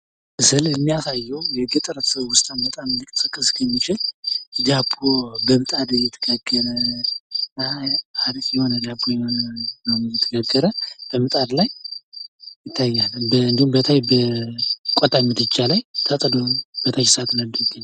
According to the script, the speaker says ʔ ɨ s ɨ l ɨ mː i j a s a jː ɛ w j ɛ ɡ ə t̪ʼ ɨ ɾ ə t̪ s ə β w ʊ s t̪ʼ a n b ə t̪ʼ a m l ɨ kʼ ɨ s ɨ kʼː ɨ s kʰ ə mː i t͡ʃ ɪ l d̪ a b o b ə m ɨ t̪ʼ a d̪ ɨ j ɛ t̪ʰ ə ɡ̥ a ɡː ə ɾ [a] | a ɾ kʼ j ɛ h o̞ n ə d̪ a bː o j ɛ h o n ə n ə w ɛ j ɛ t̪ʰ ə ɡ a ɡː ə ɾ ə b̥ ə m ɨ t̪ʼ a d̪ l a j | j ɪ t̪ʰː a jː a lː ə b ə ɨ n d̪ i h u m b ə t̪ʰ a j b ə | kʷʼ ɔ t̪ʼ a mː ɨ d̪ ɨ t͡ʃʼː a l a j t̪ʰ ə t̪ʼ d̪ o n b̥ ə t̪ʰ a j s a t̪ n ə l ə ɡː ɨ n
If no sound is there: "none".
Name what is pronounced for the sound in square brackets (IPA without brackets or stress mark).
ə